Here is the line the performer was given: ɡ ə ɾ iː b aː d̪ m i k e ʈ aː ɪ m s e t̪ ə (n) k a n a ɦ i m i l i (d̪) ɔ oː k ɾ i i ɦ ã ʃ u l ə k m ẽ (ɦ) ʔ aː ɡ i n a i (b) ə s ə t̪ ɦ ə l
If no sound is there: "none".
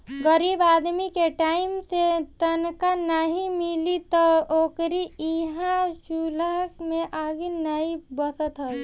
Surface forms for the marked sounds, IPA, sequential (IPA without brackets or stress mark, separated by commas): n, t̪, none, b